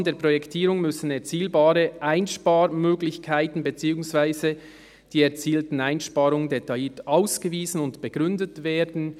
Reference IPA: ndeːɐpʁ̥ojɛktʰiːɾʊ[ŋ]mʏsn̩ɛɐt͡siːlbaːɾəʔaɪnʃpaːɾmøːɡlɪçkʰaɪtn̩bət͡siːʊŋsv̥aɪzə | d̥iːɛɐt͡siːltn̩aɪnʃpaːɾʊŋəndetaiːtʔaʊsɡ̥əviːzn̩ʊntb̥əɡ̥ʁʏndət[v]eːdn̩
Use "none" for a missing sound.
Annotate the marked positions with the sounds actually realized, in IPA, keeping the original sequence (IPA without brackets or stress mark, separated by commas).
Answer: ŋ, v